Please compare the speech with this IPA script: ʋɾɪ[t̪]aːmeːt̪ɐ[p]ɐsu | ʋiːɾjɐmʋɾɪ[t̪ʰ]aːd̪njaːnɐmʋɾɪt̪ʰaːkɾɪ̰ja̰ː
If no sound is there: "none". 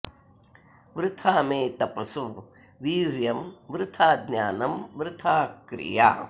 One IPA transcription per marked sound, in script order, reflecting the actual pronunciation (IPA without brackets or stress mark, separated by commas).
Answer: t̪ʰ, p, t̪ʰ